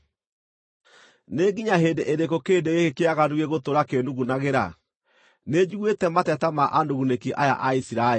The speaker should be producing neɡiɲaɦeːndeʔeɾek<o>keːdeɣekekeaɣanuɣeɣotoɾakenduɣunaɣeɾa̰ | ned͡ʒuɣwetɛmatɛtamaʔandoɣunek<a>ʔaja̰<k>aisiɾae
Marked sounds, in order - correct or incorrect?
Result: correct, incorrect: i, incorrect: ʔ

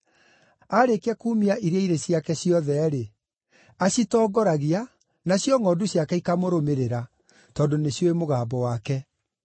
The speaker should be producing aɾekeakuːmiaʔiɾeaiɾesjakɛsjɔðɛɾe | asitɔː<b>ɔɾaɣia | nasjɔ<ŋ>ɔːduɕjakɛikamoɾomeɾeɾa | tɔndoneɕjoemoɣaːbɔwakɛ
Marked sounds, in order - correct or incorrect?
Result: incorrect: ɡ, correct

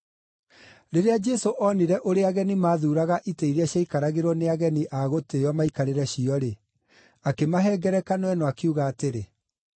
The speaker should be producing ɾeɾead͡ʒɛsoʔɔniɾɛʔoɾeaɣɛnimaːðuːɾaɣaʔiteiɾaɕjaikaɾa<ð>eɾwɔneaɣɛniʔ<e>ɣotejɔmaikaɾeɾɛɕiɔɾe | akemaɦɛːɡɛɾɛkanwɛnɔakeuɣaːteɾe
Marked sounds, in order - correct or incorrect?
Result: incorrect: ɣ, incorrect: a

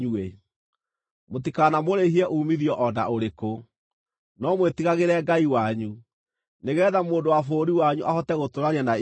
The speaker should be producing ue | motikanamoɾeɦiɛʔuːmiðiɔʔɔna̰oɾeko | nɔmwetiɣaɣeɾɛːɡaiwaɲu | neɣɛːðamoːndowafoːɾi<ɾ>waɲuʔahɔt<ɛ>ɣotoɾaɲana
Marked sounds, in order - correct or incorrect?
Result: incorrect: none, correct

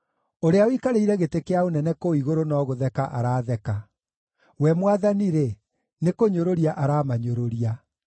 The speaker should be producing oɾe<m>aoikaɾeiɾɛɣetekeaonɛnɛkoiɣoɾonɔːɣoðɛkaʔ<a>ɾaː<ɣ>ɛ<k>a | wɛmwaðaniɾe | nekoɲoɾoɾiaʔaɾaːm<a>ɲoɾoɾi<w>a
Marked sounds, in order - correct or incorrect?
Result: incorrect: none, correct, incorrect: ð, correct, correct, incorrect: none

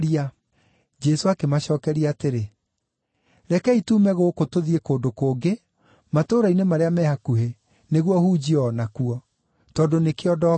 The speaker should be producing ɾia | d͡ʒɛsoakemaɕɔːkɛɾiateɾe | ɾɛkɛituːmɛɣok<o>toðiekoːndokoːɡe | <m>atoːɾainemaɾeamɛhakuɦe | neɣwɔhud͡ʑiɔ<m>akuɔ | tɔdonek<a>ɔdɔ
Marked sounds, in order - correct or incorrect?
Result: correct, correct, incorrect: n, incorrect: e

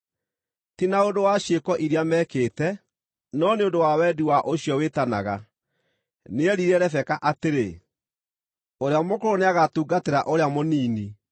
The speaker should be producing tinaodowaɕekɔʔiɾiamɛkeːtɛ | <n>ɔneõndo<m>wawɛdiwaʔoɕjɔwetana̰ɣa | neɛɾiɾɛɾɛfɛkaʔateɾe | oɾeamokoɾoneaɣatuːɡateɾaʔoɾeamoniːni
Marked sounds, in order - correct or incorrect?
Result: correct, incorrect: none

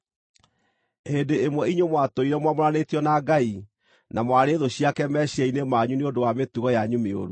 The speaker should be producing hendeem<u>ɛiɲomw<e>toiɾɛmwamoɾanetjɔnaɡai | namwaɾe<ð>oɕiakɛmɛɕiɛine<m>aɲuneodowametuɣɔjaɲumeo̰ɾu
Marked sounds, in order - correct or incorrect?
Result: incorrect: w, incorrect: a, correct, correct

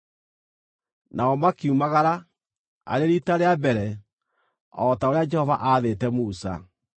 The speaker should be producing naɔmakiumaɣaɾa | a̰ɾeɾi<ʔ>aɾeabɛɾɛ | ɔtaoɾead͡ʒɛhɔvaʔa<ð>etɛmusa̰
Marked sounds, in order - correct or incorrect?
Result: incorrect: t, correct

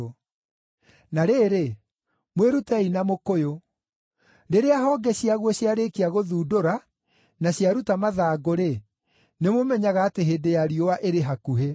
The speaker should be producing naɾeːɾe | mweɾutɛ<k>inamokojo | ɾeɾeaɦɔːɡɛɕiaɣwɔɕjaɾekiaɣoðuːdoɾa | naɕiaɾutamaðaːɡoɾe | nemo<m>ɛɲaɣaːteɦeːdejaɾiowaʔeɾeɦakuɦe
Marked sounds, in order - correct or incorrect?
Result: incorrect: none, correct

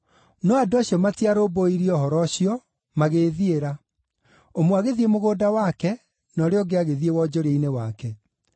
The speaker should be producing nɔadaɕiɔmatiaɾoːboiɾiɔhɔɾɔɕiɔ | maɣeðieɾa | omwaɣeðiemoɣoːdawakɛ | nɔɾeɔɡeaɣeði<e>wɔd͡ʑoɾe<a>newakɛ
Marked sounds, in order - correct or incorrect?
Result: correct, incorrect: i

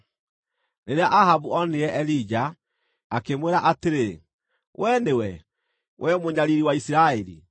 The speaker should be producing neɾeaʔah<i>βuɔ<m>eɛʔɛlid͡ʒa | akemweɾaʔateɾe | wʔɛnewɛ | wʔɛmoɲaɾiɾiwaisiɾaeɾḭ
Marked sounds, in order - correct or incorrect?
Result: incorrect: a, incorrect: n

